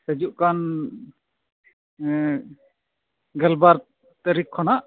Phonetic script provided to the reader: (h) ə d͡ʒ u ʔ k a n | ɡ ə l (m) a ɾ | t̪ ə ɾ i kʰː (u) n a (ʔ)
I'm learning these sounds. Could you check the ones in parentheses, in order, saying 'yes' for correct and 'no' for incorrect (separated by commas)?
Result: no, no, no, yes